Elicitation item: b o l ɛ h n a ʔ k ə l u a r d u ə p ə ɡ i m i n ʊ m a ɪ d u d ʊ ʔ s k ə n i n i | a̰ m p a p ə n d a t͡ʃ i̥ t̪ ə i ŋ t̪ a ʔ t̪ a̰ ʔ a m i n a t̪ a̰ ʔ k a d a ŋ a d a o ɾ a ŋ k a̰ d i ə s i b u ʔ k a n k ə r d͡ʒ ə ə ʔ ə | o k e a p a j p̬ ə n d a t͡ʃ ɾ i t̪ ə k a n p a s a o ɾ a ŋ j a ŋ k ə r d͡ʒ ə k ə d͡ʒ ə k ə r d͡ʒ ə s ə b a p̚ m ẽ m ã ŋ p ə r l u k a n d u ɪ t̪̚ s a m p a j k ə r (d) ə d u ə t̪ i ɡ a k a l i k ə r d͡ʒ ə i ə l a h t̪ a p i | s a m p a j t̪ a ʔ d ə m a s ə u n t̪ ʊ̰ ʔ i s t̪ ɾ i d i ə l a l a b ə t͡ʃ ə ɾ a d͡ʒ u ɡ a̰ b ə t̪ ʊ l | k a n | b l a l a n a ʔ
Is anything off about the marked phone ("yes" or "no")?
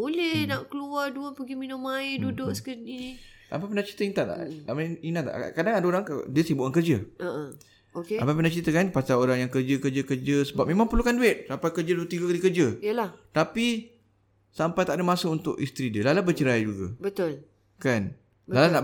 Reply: yes